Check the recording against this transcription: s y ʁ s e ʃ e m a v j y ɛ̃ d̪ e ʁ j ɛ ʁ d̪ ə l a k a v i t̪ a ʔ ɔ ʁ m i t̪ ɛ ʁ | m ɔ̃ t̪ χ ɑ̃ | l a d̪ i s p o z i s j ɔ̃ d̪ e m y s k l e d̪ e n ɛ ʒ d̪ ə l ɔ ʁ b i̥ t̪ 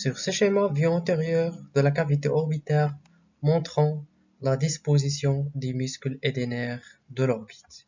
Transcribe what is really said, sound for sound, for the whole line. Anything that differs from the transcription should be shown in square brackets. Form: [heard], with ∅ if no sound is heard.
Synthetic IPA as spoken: s y ʁ s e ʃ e m a v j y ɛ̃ [t̪] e ʁ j [œ] ʁ d̪ ə l a k a v i t̪ [e] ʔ ɔ ʁ [b] i t̪ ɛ ʁ | m ɔ̃ t̪ χ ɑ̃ | l a d̪ i s p o z i s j ɔ̃ d̪ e m y s k l e d̪ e n ɛ [ʁ] d̪ ə l ɔ ʁ b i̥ t̪